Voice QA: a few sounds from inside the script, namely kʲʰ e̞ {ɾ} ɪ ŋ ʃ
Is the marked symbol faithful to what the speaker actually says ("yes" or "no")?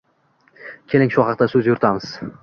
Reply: no